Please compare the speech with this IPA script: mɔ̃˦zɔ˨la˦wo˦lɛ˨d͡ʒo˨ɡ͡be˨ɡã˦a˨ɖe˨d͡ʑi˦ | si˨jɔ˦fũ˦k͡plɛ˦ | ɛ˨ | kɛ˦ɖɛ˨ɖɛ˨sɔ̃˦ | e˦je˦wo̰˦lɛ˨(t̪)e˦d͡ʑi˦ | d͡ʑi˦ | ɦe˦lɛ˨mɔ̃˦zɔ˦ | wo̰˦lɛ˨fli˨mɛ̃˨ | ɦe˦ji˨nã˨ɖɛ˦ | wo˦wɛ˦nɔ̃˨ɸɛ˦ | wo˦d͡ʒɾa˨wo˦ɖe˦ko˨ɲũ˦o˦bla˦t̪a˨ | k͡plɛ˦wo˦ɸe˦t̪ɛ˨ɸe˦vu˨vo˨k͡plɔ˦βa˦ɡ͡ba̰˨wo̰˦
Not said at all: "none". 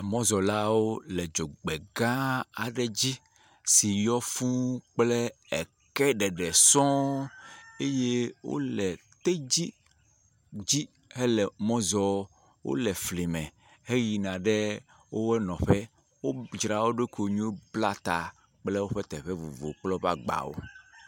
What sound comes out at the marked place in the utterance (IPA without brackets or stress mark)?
t̪